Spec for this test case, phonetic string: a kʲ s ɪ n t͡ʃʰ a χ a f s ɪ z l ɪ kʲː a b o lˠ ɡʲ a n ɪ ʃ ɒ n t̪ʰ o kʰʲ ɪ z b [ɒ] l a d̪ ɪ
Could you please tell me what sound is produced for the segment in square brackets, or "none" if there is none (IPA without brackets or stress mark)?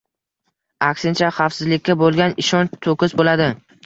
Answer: o